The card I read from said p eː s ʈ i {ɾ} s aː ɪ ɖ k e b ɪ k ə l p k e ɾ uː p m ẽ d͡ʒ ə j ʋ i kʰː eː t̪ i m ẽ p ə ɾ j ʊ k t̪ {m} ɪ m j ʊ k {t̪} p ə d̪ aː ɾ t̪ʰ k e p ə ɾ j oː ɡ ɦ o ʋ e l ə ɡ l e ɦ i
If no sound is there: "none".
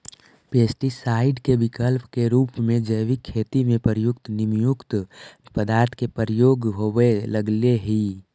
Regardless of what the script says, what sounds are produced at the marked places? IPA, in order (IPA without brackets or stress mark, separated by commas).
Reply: none, n, t̪